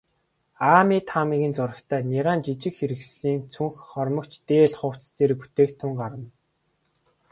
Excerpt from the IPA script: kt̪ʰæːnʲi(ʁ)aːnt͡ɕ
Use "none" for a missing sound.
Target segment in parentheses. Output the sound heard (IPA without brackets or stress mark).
ʁ